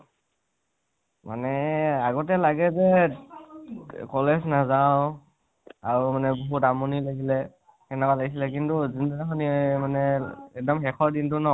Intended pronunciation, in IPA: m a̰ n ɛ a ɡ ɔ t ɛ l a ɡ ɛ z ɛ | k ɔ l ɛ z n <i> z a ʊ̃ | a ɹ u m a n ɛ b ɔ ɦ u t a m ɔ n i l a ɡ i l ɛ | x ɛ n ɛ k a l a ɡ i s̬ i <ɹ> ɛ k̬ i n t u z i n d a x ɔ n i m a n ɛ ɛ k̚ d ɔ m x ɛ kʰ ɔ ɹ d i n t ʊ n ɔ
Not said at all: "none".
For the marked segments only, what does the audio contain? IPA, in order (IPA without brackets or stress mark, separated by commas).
a, l